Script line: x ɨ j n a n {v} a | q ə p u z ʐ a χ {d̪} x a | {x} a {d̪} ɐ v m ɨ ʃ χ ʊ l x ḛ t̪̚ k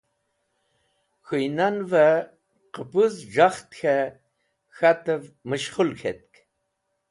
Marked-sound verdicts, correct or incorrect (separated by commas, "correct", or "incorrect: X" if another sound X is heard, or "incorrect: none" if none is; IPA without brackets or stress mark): correct, incorrect: t̪, correct, incorrect: t̪